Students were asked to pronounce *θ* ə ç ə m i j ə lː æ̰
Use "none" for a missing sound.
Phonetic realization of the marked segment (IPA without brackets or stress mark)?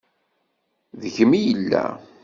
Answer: ð